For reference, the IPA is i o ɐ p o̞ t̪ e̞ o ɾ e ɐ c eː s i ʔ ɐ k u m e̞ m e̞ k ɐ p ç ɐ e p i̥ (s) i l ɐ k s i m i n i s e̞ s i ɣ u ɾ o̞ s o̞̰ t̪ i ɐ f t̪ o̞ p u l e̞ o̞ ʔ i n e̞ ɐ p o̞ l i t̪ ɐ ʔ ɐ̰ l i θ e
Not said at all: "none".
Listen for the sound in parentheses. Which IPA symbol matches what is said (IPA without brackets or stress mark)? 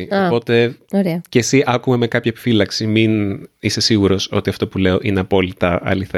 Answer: f